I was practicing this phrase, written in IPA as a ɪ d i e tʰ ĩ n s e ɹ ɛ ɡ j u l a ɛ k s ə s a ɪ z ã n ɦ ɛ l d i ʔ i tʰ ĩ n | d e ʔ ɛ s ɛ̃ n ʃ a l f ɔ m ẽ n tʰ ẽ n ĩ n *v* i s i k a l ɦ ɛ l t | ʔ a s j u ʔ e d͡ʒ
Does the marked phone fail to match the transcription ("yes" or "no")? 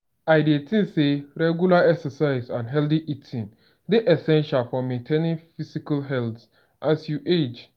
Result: yes